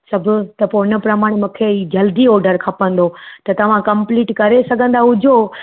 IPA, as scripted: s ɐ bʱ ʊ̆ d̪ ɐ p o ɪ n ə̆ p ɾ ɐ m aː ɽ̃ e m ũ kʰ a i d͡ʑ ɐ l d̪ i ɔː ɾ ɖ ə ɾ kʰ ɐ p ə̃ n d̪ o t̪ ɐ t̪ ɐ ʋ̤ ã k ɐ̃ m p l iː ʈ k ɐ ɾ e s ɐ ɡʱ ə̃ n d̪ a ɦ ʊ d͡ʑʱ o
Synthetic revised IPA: s ɐ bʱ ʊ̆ t̪ ɐ p o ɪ n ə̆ p ɾ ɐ m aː ɽ̃ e m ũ kʰ e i d͡ʑ ɐ l d̪ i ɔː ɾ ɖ ə ɾ kʰ ɐ p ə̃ n d̪ o t̪ ɐ t̪ ɐ ʋ̤ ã k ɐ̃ m p l iː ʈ k ɐ ɾ e s ɐ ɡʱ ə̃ n d̪ a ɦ ʊ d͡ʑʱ o